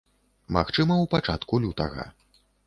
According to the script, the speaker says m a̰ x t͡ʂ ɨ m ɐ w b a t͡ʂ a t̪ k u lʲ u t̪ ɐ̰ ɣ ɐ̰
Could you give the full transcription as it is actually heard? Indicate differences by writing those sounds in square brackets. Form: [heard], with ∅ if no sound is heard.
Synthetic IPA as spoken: m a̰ x t͡ʂ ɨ m ɐ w [p] a t͡ʂ a t̪ k u lʲ u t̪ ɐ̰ ɣ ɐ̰